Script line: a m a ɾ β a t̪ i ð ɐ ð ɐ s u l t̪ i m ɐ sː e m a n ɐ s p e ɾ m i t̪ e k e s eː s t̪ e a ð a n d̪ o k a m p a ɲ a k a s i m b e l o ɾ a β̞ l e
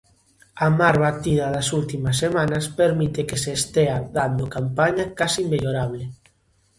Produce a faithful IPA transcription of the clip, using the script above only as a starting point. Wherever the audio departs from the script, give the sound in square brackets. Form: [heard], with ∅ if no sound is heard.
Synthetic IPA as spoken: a m a ɾ β a t̪ i ð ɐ ð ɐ s u l t̪ i m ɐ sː e m a n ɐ s p e ɾ m i t̪ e k e s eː s t̪ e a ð a n d̪ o k a m p a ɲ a k a s i m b e [ʎ] o ɾ a β̞ l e